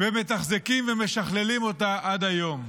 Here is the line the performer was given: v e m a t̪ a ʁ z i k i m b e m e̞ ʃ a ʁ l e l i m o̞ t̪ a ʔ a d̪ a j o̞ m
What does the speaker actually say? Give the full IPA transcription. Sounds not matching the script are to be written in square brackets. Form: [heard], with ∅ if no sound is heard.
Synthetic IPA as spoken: v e m [e] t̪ a [χ] z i k i m [v] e m e̞ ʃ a [χ] l e l i m o̞ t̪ a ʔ a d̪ a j o̞ m